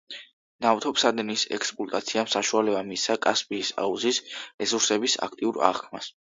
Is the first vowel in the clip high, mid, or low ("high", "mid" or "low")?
low